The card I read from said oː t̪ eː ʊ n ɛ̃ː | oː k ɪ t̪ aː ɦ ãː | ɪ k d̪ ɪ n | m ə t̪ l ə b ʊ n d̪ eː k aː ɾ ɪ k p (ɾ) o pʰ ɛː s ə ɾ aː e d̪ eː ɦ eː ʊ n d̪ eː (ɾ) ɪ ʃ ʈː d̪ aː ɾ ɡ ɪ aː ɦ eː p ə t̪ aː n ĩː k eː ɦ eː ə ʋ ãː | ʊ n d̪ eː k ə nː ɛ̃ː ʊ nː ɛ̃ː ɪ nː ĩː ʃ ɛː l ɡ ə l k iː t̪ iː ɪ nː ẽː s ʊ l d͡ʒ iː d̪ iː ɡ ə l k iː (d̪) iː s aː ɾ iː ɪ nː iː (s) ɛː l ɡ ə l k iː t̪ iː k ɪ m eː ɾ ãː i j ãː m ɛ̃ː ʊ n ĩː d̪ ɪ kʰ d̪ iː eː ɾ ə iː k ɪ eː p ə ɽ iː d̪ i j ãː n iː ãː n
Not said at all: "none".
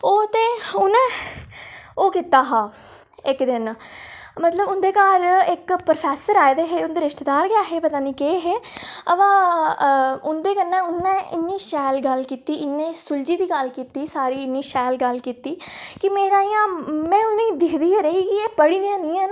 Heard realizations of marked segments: ɾ, ɾ, t̪, ʃ

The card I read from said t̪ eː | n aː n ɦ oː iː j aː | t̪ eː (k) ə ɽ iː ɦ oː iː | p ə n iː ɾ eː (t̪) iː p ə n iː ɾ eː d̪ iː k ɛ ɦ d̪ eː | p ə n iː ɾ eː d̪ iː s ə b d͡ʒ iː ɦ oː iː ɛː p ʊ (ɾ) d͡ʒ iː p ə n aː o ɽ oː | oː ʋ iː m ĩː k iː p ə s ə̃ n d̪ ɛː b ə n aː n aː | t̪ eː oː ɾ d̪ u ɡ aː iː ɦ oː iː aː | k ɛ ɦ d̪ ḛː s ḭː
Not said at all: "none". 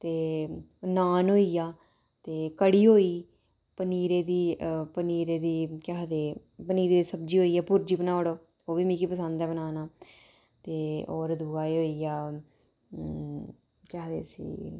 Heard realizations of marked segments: k, d̪, ɾ

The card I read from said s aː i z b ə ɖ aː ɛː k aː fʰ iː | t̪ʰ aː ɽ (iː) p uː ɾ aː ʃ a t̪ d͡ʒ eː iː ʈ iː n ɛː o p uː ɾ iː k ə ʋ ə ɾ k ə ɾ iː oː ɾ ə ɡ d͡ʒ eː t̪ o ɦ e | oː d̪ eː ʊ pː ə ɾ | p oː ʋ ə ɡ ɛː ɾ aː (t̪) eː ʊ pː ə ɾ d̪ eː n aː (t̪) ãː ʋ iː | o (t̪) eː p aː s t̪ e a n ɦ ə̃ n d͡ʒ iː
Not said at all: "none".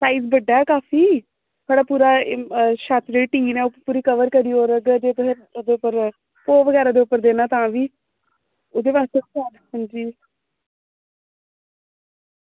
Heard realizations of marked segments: aː, d̪, t̪, d̪

